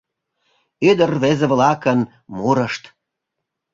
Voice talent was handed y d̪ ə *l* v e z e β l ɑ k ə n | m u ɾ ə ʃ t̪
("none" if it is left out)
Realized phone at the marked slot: r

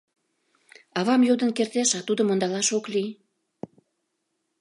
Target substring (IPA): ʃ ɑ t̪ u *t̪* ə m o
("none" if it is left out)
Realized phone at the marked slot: d̪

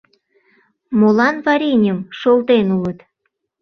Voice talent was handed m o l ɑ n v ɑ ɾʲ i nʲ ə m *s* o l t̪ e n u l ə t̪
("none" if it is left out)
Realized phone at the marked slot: ʃ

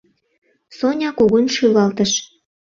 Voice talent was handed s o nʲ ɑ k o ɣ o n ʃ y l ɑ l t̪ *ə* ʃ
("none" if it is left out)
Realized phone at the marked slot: ə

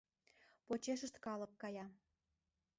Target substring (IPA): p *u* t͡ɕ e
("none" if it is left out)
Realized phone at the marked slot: o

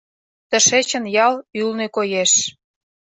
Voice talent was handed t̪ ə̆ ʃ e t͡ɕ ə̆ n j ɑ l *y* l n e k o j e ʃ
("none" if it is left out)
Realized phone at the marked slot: y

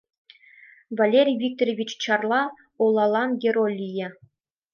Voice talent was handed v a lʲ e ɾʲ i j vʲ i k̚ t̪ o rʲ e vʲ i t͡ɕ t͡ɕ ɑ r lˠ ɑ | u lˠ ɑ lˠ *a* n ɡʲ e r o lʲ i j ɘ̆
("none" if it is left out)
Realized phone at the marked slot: ɑ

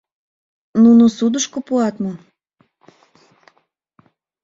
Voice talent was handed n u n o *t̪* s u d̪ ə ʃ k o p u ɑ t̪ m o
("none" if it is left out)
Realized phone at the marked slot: none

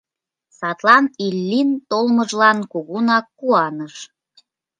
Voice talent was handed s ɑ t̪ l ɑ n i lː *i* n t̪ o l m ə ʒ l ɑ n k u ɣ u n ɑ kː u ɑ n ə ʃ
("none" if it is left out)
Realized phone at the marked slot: i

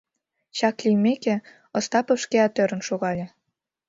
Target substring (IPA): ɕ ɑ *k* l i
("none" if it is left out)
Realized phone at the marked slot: k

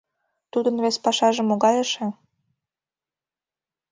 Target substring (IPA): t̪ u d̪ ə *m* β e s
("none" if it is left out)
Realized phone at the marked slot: n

